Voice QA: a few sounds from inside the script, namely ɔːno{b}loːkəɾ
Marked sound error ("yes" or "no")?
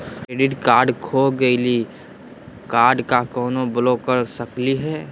no